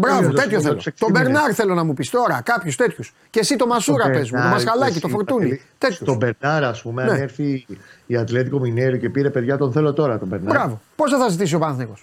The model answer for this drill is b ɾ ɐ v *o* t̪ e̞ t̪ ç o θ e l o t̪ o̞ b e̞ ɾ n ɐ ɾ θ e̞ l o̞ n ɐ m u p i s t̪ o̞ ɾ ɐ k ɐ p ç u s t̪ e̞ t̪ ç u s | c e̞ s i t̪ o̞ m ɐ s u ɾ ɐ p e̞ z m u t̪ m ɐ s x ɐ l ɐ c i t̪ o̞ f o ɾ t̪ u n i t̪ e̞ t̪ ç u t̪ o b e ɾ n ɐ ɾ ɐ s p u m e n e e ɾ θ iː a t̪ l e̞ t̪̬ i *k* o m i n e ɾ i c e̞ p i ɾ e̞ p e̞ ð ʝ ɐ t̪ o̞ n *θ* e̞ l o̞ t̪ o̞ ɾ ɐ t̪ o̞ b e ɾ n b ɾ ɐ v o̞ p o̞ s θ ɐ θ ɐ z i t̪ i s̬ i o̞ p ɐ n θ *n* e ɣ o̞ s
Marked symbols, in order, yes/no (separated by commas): yes, yes, yes, yes